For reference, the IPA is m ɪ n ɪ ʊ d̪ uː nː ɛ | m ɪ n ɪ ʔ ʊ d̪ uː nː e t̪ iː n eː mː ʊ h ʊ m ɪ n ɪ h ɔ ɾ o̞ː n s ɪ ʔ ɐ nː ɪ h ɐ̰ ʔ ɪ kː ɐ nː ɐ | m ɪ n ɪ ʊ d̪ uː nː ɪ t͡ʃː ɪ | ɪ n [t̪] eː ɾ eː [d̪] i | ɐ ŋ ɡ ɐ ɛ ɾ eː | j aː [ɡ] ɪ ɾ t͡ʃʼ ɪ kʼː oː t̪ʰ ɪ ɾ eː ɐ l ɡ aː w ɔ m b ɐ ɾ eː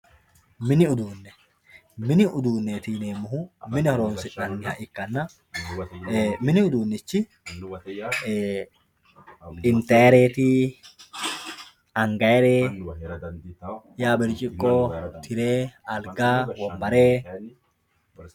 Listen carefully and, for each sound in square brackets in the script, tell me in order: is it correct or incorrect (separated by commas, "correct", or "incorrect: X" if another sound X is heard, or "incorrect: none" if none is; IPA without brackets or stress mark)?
correct, incorrect: t̪, incorrect: b